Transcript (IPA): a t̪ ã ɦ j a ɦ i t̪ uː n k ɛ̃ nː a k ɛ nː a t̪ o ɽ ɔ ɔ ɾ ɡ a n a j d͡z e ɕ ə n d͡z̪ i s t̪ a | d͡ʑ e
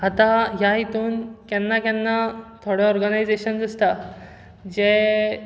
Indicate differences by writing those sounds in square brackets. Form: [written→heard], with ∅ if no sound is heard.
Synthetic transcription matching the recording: a t̪ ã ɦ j a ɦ i t̪ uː n k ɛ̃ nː a k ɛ nː a [t̪→t̪ʰ] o ɽ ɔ ɔ ɾ ɡ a n a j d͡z e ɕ ə n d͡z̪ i s t̪ a | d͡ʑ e